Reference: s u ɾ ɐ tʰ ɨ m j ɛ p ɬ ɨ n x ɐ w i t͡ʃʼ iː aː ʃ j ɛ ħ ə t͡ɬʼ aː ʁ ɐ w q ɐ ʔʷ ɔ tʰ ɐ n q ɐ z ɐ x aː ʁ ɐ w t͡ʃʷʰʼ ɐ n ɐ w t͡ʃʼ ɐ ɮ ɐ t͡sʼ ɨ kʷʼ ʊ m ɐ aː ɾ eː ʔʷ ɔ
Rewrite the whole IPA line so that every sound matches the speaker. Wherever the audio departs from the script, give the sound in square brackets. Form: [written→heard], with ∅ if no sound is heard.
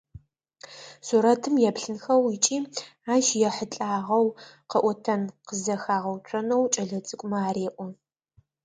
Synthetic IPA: s u ɾ ɐ tʰ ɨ m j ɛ p ɬ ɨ n x ɐ w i t͡ʃʼ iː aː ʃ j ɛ ħ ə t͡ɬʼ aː ʁ ɐ w q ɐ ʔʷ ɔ tʰ ɐ n q [ɐ→ə] z ɐ x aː ʁ ɐ w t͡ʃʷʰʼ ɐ n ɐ w t͡ʃʼ ɐ ɮ ɐ t͡sʼ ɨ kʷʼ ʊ m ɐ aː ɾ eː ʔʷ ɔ